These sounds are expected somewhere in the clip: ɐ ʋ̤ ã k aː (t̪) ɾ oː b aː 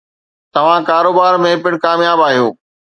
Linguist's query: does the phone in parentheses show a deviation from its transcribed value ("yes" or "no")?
yes